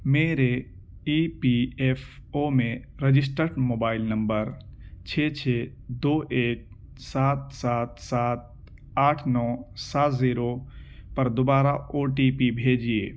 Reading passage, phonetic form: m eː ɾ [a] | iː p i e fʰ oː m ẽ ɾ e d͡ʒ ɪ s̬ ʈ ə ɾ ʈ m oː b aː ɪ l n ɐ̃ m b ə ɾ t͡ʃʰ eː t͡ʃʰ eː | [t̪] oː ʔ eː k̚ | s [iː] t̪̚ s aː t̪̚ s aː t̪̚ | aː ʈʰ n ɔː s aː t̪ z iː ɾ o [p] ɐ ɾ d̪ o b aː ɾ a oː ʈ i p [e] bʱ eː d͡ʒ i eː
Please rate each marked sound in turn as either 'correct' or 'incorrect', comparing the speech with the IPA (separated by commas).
incorrect, incorrect, incorrect, correct, incorrect